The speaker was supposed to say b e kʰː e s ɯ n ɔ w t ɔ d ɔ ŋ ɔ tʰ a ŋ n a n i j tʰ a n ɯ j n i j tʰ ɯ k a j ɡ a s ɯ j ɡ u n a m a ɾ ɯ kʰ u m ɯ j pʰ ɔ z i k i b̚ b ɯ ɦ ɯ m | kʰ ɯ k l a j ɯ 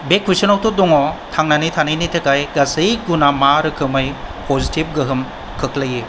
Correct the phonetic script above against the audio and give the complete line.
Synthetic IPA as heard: b e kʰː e s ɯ n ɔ w t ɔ d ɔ ŋ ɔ tʰ a ŋ n a n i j tʰ a n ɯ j n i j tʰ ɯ k a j ɡ a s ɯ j ɡ u n a m a ɾ ɯ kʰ ɯ m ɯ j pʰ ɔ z i t i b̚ ɡ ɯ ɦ ɯ m | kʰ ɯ k l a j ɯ